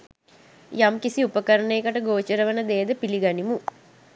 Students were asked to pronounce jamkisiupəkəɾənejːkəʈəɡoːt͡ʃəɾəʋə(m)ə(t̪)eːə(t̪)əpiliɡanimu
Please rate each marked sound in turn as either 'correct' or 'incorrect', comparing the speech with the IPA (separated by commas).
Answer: incorrect, incorrect, incorrect